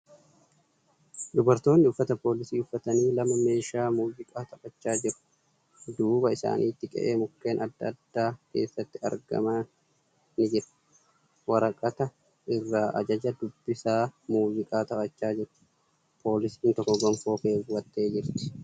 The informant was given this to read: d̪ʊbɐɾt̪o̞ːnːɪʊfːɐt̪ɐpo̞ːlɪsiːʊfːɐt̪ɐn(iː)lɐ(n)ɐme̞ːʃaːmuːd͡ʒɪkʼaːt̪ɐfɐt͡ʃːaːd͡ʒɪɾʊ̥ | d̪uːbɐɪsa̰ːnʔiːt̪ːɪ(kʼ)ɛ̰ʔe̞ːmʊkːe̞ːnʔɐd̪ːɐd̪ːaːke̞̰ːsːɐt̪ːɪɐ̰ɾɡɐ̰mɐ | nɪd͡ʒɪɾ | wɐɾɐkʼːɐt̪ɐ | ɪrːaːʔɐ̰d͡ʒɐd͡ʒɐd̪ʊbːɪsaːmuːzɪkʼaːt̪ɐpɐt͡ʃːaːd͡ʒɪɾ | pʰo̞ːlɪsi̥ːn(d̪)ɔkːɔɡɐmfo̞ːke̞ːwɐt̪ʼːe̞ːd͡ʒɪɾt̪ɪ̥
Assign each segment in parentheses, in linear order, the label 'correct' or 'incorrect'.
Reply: correct, incorrect, correct, incorrect

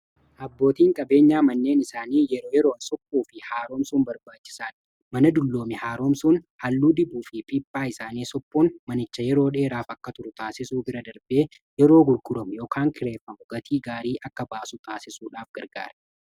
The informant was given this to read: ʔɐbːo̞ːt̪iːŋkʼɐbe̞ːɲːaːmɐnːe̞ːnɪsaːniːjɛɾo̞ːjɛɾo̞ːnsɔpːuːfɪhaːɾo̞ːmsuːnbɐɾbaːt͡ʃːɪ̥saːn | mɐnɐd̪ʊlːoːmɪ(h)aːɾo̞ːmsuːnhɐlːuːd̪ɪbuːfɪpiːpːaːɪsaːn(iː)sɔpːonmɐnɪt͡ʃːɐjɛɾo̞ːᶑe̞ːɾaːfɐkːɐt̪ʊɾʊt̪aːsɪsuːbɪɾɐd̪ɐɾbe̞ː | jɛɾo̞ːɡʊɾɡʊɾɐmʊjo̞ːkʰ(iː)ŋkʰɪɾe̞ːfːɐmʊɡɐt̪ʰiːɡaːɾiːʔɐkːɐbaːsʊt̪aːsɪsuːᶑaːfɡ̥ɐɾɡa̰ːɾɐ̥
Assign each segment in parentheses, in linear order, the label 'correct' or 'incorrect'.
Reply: correct, correct, incorrect

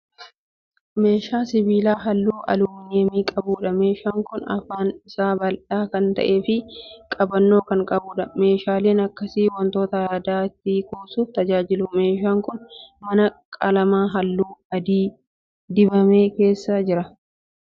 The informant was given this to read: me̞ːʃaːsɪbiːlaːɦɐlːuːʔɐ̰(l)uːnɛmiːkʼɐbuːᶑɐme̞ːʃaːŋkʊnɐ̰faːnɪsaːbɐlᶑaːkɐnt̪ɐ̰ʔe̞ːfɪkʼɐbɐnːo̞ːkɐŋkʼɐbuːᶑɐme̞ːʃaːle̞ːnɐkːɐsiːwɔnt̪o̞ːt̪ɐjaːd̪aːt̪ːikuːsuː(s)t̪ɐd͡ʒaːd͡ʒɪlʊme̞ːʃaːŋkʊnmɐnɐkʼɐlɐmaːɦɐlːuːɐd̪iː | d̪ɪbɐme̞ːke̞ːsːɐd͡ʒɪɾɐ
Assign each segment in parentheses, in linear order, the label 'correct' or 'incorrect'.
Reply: correct, incorrect

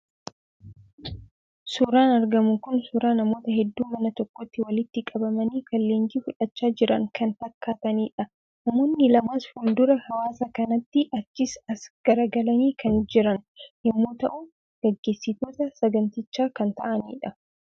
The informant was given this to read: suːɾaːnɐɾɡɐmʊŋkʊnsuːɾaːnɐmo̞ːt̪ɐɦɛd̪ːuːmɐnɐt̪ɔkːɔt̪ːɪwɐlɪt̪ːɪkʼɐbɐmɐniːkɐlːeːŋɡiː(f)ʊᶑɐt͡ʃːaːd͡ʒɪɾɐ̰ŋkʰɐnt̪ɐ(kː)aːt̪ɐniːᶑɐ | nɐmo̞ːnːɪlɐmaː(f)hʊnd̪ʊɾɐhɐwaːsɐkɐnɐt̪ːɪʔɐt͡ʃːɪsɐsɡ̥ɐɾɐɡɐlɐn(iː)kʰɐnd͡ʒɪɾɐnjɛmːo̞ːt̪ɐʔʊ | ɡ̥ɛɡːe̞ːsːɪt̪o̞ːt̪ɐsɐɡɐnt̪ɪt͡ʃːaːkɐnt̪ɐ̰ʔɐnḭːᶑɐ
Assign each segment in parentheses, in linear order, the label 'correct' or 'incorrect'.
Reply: correct, correct, incorrect, correct

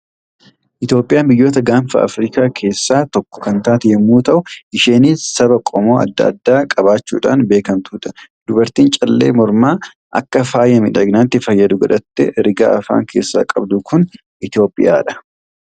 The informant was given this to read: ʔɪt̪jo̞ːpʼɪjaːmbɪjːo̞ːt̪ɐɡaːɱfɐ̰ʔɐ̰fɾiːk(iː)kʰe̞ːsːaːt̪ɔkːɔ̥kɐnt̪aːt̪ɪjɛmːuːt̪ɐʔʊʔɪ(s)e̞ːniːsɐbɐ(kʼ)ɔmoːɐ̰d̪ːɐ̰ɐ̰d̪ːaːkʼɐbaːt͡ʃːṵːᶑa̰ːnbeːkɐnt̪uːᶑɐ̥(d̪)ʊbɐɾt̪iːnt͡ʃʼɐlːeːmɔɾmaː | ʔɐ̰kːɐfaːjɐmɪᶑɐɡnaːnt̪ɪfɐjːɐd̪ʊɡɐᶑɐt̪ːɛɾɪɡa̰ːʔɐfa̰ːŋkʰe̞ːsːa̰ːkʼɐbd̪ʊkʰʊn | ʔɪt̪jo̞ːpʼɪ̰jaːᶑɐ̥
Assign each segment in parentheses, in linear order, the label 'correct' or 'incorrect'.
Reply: incorrect, incorrect, correct, correct

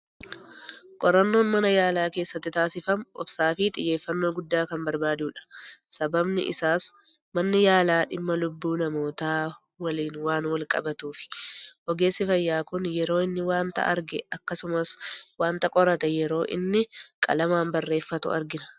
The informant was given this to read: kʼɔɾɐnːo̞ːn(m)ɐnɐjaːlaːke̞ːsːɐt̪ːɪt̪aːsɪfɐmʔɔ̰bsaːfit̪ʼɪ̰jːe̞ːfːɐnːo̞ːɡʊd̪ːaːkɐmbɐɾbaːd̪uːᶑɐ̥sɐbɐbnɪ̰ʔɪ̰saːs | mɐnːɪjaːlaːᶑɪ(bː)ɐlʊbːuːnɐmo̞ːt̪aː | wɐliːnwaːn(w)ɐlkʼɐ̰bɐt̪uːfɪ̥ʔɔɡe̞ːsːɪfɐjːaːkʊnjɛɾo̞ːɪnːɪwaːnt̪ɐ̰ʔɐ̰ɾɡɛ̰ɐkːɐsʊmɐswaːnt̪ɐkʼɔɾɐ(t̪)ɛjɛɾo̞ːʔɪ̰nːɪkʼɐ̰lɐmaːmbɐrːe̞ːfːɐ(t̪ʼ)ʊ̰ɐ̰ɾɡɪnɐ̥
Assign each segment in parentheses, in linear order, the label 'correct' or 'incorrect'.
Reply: correct, incorrect, correct, correct, incorrect

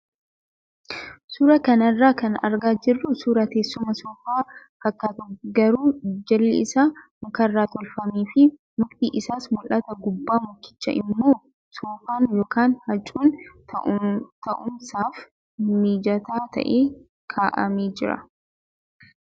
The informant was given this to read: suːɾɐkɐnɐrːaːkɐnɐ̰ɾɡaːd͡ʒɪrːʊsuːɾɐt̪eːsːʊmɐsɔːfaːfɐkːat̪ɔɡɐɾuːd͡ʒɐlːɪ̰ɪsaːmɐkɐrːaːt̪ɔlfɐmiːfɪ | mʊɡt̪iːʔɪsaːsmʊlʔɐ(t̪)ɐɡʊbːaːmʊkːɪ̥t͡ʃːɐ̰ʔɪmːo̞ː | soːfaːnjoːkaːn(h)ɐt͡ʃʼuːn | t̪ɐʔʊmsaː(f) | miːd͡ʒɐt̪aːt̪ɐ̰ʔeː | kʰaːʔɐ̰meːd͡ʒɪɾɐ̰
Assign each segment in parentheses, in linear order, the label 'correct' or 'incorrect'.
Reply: correct, correct, correct

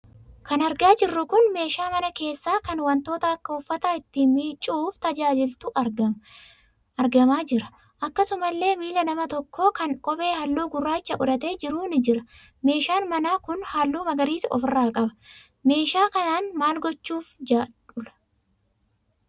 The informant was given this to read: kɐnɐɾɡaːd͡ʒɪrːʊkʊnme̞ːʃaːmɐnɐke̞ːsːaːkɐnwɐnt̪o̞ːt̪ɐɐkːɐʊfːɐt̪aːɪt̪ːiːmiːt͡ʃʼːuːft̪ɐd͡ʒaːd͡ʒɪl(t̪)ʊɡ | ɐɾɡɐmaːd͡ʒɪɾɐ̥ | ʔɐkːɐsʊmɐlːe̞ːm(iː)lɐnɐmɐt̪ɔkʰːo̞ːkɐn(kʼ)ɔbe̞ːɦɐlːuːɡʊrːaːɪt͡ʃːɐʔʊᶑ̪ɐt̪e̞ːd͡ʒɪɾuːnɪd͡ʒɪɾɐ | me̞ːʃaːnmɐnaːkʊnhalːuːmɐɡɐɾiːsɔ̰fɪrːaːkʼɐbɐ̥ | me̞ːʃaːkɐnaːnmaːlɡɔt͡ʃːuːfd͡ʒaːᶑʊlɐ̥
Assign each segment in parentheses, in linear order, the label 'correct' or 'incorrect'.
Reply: correct, correct, correct

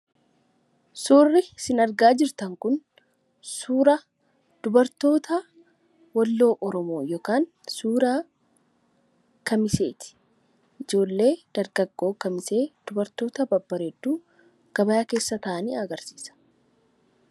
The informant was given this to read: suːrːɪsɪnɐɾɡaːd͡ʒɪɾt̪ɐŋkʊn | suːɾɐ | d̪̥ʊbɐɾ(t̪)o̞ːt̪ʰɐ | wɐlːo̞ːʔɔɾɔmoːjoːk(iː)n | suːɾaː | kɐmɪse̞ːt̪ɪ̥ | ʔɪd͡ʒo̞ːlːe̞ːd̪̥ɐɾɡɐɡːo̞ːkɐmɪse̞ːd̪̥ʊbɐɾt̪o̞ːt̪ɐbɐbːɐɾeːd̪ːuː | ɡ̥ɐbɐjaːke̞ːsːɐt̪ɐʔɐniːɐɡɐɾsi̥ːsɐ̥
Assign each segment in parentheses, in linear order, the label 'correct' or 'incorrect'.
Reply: correct, incorrect

